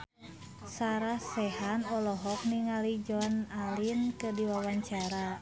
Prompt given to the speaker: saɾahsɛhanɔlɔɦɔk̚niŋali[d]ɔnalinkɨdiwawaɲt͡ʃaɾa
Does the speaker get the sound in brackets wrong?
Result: yes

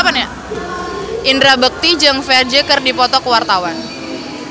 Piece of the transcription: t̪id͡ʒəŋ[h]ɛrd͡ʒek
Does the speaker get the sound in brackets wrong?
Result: yes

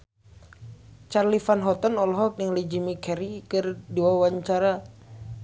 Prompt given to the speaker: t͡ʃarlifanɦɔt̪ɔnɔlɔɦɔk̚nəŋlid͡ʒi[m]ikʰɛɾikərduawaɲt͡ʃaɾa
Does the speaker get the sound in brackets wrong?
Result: no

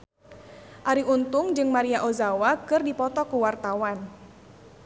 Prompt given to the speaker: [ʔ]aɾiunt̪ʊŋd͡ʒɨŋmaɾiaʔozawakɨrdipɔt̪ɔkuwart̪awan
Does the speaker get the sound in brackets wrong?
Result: no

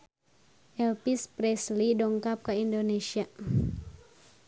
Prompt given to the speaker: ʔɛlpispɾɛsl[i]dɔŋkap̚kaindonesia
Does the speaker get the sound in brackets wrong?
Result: no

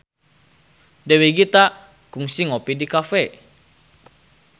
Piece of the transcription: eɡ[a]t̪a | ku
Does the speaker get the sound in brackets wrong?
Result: yes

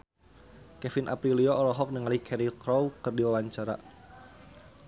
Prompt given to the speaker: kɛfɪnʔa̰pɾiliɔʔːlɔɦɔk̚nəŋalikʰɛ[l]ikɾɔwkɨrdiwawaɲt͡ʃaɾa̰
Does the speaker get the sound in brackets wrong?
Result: yes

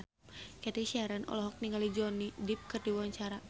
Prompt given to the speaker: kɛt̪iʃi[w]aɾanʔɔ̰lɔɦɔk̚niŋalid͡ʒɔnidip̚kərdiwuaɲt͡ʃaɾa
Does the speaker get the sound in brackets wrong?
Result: yes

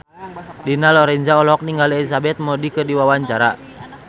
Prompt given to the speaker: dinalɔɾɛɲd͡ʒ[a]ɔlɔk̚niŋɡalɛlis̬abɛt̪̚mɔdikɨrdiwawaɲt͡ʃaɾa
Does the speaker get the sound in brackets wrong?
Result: no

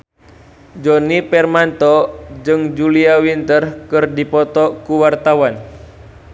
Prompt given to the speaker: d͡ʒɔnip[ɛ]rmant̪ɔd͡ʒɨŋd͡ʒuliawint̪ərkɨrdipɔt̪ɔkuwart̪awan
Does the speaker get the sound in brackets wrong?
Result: no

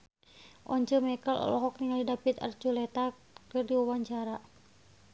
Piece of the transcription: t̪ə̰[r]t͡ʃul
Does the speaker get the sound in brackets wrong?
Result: no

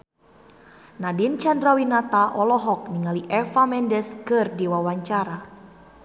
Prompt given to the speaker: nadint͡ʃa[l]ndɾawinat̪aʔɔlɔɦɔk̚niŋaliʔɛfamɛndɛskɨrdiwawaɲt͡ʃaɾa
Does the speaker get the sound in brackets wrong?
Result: yes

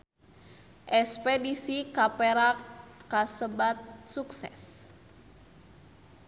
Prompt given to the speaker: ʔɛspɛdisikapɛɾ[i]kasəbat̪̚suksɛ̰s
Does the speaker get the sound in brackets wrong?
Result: yes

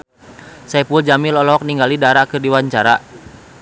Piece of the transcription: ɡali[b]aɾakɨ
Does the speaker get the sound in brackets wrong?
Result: yes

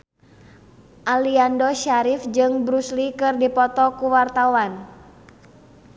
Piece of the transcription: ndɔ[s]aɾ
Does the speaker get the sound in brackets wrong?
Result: yes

